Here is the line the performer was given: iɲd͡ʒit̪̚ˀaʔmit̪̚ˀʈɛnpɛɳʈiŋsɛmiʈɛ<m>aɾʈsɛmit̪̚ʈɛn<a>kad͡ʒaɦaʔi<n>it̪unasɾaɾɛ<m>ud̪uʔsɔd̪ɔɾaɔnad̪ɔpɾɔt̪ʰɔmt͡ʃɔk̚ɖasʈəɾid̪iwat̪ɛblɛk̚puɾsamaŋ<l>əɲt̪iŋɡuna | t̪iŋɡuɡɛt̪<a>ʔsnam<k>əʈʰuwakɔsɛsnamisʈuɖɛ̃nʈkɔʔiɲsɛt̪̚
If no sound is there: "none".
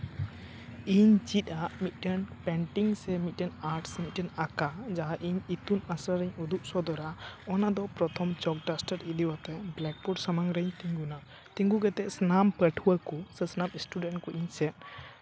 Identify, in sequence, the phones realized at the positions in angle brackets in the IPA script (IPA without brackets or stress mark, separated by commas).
n, a, ɲ, ɲ, ɾ, ɛ, p